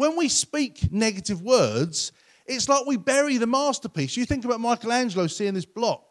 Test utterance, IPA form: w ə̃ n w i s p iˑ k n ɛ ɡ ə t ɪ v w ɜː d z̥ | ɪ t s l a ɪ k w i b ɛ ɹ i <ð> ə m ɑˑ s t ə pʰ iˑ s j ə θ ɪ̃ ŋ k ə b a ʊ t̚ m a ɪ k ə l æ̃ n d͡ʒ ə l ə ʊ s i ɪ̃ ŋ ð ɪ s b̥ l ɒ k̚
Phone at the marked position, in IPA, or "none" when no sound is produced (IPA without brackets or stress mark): ð